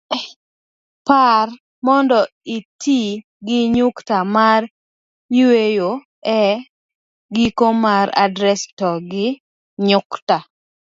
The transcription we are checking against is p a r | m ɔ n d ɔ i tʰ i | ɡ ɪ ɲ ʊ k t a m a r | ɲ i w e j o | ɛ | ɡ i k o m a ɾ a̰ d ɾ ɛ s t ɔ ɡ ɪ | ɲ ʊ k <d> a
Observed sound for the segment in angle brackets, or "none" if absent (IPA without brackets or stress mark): t